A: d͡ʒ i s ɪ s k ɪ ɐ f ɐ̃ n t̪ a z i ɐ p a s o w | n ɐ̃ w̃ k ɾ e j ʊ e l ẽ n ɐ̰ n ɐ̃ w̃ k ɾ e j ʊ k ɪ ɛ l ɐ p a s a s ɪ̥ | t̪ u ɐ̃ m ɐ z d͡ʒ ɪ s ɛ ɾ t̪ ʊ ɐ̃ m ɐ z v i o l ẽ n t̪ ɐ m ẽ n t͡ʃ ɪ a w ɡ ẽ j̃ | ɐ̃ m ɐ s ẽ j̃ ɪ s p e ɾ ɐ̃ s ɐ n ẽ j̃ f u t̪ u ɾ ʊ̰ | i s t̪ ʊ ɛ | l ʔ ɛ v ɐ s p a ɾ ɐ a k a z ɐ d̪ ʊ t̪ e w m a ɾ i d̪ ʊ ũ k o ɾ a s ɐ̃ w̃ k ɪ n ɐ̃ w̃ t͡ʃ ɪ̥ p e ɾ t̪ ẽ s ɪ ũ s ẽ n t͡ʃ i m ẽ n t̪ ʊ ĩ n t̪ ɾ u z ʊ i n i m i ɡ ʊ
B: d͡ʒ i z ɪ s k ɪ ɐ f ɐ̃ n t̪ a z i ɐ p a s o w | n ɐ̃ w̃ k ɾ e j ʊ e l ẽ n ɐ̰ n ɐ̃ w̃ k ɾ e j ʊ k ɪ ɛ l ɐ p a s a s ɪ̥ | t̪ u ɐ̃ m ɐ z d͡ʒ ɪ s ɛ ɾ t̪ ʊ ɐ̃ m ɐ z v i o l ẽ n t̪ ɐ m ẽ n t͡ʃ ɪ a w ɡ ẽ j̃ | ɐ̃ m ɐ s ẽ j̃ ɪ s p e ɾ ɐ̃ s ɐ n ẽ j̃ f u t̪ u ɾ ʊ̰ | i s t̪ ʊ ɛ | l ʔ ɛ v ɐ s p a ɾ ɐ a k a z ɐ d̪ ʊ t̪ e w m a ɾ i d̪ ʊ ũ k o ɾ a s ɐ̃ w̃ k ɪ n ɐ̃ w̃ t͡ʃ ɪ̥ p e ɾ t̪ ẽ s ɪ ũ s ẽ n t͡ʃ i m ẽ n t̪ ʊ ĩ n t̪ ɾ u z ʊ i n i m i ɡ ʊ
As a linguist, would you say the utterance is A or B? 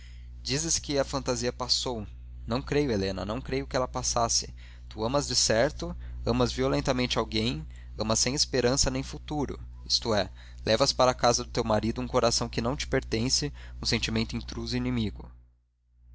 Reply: B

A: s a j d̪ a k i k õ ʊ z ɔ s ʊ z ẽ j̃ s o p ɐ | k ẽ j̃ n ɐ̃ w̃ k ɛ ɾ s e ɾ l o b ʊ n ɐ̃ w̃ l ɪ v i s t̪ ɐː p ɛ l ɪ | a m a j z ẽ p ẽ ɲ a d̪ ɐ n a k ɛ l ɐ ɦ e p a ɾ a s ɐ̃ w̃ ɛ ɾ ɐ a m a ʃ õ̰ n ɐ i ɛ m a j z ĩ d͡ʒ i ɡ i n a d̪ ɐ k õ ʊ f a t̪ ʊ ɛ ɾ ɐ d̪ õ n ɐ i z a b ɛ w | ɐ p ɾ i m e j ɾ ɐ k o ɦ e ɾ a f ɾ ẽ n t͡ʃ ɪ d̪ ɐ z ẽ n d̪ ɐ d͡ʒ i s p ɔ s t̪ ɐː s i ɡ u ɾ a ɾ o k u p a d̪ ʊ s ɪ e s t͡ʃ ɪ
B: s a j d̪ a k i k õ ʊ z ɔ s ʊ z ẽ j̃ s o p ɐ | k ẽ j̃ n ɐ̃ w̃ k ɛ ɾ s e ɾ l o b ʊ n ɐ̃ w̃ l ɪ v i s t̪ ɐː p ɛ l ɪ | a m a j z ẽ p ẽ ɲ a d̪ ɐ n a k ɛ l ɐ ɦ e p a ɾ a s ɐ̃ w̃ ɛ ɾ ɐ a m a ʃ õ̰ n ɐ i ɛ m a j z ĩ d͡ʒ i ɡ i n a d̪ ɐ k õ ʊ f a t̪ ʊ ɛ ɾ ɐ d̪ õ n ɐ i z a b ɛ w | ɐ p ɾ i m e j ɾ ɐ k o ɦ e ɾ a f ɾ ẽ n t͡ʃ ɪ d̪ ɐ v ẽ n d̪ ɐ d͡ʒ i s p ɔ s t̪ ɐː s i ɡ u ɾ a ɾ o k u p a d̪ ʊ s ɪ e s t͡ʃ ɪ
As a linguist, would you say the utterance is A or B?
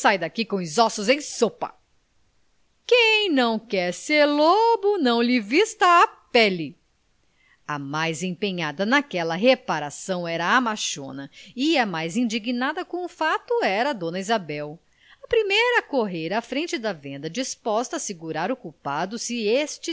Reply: B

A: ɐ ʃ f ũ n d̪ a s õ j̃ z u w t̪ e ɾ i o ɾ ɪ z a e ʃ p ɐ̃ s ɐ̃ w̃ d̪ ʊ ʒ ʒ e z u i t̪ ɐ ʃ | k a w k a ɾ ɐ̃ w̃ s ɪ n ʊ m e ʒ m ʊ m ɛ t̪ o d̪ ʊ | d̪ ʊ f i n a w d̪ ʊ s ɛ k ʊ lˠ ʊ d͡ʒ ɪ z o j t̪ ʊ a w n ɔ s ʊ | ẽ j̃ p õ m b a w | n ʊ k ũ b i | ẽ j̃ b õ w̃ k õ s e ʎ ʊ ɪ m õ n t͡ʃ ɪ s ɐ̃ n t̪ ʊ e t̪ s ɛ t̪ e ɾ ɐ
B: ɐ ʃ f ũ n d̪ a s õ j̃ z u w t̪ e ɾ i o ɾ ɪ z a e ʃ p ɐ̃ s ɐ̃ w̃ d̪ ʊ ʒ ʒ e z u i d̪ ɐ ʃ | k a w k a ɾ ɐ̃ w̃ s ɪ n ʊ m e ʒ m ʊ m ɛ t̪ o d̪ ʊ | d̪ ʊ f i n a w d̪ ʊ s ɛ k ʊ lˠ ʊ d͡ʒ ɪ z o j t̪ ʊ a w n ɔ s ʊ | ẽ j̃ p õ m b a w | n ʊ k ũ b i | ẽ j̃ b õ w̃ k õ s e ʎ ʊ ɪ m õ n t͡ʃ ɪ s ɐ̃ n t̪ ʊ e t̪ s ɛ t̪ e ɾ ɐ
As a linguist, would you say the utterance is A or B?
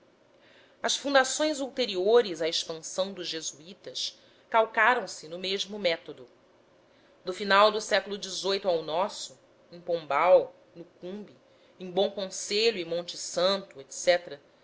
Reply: A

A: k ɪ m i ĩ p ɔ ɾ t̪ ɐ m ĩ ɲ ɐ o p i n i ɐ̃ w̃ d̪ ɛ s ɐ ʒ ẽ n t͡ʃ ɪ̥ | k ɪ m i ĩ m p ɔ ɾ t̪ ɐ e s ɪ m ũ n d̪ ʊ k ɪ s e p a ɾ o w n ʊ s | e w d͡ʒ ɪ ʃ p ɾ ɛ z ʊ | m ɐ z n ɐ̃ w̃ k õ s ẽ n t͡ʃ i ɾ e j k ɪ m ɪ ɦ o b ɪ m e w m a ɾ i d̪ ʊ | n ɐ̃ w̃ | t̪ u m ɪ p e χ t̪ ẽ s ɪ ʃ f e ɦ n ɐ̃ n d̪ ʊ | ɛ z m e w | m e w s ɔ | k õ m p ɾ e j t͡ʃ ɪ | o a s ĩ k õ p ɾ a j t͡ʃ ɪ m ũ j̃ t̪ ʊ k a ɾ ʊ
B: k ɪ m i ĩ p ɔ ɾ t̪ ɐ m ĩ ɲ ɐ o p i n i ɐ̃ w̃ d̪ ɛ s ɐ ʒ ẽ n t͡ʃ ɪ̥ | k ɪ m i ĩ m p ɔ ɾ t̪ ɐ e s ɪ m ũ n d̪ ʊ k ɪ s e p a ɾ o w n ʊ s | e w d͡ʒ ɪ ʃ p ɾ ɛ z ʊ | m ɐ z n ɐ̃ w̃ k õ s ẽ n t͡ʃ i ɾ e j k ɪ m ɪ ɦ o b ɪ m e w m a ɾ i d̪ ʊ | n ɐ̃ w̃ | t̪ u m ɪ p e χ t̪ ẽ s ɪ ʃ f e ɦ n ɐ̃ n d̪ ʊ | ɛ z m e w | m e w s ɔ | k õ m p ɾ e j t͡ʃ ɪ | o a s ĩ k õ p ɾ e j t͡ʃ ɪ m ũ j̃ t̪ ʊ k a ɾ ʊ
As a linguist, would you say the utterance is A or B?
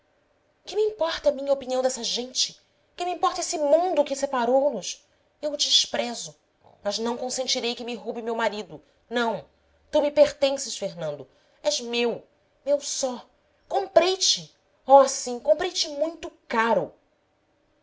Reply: B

